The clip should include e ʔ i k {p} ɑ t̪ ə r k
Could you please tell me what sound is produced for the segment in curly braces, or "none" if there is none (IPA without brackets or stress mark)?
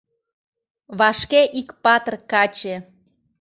p